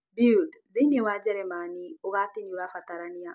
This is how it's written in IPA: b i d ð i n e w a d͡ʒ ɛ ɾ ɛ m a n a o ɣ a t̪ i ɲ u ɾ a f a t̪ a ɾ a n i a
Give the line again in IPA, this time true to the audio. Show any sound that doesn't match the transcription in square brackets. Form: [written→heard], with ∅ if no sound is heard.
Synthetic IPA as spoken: b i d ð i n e w a d͡ʒ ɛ ɾ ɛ m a n [a→i] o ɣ a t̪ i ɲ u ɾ a f a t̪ a ɾ a n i a